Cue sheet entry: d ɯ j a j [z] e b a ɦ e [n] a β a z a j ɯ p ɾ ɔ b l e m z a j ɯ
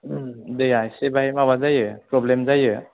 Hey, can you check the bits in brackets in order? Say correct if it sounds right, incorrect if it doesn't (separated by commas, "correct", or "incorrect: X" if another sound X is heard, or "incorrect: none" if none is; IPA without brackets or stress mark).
incorrect: s, incorrect: m